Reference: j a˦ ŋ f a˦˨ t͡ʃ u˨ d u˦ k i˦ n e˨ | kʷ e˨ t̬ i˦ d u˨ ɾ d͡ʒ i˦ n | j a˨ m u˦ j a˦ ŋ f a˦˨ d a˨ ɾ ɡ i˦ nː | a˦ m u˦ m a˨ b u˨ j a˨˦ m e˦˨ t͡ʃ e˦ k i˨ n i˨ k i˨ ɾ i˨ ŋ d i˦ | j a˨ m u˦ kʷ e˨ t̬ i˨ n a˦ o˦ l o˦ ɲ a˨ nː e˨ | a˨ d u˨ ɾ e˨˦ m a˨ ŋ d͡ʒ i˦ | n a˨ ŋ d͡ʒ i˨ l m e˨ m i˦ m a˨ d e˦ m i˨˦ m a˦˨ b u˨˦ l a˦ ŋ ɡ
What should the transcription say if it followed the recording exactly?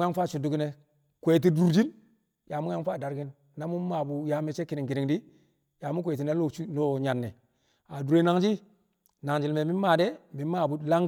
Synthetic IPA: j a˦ ŋ f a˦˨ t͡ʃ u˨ d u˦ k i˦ n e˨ | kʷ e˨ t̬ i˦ d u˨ ɾ d͡ʒ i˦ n | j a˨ m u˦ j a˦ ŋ f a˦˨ d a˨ ɾ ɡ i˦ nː | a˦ m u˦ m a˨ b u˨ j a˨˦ m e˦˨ t͡ʃ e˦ k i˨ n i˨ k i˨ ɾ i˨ ŋ d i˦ | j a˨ m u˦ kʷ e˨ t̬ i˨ n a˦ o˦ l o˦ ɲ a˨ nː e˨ | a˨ d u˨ ɾ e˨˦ n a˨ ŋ d͡ʒ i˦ | n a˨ ŋ d͡ʒ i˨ l m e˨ m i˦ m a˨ d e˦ m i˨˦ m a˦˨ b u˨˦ l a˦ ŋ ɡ